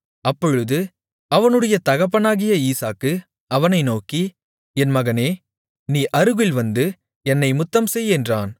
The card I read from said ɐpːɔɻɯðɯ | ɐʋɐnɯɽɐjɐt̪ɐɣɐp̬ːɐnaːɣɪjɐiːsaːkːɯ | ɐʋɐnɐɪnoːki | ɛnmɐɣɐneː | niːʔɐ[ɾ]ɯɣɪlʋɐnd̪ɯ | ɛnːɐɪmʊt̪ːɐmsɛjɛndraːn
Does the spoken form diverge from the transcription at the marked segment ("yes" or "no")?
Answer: no